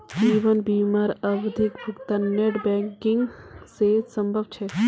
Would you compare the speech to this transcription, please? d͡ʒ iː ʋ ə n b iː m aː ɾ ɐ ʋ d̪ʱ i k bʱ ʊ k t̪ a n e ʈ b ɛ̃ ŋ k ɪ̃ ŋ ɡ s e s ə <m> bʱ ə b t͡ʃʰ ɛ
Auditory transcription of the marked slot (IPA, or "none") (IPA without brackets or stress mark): m